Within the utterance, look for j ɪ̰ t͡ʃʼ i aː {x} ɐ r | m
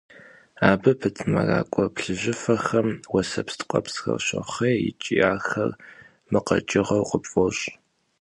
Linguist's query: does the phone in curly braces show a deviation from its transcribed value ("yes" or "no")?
no